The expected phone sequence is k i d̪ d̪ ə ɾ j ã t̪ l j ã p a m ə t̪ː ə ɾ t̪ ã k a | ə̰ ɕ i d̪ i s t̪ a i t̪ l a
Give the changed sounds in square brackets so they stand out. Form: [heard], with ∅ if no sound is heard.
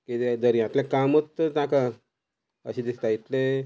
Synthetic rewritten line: k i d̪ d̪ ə ɾ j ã t̪ l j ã [k] a m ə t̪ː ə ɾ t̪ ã k a | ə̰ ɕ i d̪ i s t̪ a i t̪ l [e]